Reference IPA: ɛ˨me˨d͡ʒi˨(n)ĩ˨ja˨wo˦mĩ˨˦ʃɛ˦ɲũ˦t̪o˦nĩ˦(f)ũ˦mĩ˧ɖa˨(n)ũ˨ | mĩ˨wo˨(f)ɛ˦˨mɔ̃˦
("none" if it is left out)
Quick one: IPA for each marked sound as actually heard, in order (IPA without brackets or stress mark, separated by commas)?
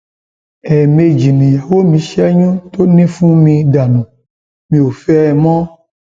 n, f, n, f